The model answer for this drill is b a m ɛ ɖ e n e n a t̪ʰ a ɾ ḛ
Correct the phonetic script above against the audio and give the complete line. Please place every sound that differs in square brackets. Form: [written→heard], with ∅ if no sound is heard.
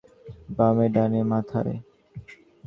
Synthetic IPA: b a m [ɛ→e] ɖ [e→a] n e [n→m] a t̪ʰ a ɾ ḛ

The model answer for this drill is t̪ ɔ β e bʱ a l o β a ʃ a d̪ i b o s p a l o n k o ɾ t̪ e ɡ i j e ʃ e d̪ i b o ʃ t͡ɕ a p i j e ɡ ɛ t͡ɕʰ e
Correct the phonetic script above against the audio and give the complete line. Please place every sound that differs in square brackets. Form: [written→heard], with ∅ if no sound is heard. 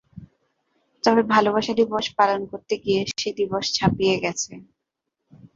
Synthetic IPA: t̪ ɔ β e bʱ a l o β a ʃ a d̪ i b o [s→ʃ] p a l o n k o ɾ t̪ e ɡ i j e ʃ e d̪ i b o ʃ [t͡ɕ→t͡ɕʰ] a p i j e ɡ ɛ t͡ɕʰ e

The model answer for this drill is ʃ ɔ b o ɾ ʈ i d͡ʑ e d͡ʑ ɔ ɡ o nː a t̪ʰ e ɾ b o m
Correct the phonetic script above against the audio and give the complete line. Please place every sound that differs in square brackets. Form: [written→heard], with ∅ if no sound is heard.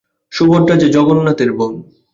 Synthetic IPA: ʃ [ɔ→u] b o ɾ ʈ [i→a] d͡ʑ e d͡ʑ ɔ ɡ o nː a [t̪ʰ→t̪] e ɾ b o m

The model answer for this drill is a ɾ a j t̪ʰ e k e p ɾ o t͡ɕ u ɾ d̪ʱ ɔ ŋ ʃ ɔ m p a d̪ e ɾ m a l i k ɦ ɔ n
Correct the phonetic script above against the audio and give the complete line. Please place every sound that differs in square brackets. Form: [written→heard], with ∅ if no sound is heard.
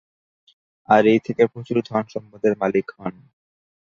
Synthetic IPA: a ɾ [a→e] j t̪ʰ e k e p ɾ o t͡ɕ u ɾ d̪ʱ ɔ [ŋ→n] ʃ ɔ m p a d̪ e ɾ m a l i k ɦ ɔ n

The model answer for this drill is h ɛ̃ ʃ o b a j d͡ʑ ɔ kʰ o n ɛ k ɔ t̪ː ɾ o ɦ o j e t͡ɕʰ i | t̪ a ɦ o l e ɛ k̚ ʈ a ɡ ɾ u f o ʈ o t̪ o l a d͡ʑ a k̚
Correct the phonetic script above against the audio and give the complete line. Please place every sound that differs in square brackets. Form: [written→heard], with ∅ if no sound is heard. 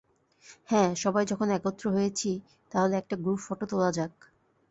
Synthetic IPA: h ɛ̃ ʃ [o→ɔ] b a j d͡ʑ ɔ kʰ o n ɛ k [ɔ→o] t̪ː ɾ o ɦ o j e t͡ɕʰ i | t̪ a ɦ o l e ɛ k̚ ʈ a ɡ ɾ u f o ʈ o t̪ o l a d͡ʑ a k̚

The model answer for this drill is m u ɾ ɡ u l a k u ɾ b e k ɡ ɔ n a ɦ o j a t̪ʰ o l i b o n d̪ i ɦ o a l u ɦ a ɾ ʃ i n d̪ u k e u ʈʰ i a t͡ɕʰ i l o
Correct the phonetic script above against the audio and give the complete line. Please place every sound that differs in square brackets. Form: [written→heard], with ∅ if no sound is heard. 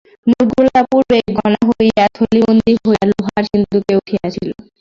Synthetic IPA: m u ɾ ɡ u l a [k→p] u ɾ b e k ɡ ɔ n a ɦ o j a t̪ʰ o l i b o n d̪ i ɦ o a l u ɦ a ɾ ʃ i n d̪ u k e u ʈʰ i a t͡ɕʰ i l o

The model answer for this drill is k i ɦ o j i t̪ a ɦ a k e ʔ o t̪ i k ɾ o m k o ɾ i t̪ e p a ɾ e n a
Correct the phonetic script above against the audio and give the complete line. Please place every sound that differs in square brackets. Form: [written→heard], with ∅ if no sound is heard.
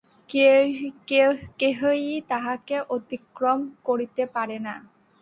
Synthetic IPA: k [i→e] ɦ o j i t̪ a ɦ a k e ʔ o t̪ i k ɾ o m k o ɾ i t̪ e p a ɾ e n a

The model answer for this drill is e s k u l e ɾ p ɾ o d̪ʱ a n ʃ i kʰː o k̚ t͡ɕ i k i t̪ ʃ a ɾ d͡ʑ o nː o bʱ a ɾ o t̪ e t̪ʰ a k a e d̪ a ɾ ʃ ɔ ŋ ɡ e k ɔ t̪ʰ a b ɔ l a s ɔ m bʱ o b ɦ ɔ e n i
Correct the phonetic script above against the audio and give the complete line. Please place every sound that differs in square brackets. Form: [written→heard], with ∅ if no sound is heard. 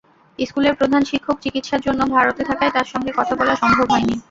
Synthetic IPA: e s k u l e ɾ p ɾ o d̪ʱ a n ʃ i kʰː o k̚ t͡ɕ i k i t̪ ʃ a ɾ d͡ʑ o nː o bʱ a ɾ o t̪ e t̪ʰ a k a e [d̪→t̪] a ɾ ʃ ɔ ŋ ɡ e k ɔ t̪ʰ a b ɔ l a [s→ʃ] ɔ m bʱ o b ɦ ɔ e n i

